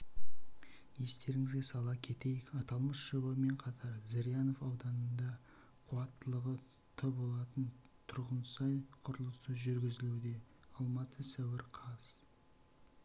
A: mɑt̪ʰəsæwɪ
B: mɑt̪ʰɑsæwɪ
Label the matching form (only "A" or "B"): A